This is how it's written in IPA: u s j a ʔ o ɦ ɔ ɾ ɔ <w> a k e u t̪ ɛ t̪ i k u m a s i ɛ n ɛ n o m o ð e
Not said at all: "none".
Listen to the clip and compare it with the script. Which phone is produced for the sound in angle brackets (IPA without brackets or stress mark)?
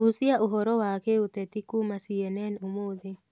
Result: w